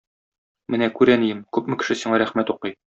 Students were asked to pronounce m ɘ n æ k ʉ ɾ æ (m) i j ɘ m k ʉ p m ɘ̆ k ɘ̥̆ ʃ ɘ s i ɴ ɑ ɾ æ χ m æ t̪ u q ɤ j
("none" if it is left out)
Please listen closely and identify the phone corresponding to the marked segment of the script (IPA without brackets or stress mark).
n